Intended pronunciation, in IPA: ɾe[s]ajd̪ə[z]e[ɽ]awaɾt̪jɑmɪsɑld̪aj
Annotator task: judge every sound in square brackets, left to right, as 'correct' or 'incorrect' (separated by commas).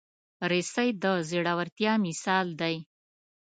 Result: correct, correct, correct